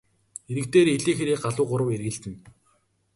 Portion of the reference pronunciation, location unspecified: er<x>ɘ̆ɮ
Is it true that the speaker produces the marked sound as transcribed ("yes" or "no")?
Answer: no